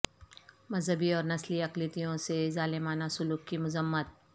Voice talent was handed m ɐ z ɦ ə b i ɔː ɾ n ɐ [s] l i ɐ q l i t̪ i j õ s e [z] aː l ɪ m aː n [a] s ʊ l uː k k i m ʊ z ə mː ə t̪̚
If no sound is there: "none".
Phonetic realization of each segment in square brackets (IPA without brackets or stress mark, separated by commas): s, z, a